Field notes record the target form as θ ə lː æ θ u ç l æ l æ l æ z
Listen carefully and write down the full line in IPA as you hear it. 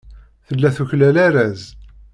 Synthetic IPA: θ ə lː æ θ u ç l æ l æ ɾ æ z